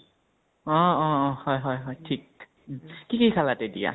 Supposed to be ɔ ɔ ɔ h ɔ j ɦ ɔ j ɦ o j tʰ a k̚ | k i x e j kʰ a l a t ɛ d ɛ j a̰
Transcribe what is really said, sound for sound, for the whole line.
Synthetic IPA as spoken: ɔ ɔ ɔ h ɔ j ɦ ɔ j ɦ ɔ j tʰ i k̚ | k i k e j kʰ a l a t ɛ d i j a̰

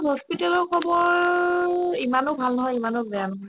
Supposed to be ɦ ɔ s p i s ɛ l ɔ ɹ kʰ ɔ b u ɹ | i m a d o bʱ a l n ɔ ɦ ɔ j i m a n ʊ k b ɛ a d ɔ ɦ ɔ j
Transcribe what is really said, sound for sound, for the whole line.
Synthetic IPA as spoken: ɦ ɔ s p i t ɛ l ɔ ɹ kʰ ɔ b ɔ ɹ | i m a n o bʱ a l n ɔ ɦ ɔ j i m a n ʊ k b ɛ a n ɔ ɦ ɔ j

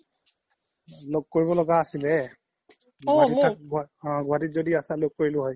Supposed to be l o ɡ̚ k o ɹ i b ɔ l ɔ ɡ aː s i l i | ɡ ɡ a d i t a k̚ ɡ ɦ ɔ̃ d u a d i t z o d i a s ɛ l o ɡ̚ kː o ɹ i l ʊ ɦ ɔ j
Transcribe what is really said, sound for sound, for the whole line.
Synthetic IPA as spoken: l o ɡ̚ k o ɹ i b ɔ l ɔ ɡ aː s i l ɛ | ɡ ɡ a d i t a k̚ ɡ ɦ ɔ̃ ɡ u a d i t z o d i a s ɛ l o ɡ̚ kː o ɹ i l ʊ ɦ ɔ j

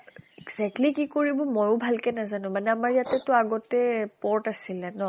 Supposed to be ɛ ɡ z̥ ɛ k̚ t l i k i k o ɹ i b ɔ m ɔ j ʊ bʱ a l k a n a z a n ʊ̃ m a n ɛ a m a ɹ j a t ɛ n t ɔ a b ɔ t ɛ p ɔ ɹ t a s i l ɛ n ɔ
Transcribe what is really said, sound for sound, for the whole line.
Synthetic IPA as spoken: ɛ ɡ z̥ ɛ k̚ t l i k i k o ɹ i b ɔ m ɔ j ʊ bʱ a l k ɛ n a z a n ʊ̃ m a n ɛ a m a ɹ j a t ɛ t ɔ a ɡ ɔ t ɛ p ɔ ɹ t a s i l ɛ n ɔ

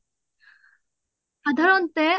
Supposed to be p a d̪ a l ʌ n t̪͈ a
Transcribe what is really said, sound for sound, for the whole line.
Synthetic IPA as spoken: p a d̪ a ɾ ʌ n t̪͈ e

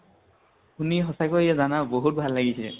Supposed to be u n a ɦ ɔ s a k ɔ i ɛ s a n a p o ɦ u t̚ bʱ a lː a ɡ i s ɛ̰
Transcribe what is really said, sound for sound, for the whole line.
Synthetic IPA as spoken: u n i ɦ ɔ s a k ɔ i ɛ z a n a b o ɦ u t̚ bʱ a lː a ɡ i s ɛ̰

